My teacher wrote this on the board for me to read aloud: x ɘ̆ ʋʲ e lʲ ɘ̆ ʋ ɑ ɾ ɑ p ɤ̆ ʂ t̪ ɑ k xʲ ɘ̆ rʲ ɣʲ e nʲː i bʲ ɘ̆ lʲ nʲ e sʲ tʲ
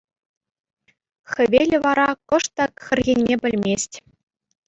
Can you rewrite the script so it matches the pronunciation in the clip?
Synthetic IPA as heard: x ɘ̆ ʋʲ e lʲ ɘ̆ ʋ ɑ ɾ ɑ k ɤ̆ ʂ t̪ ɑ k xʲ ɘ̆ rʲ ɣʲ e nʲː e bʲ ɘ̆ lʲ mʲ e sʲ tʲ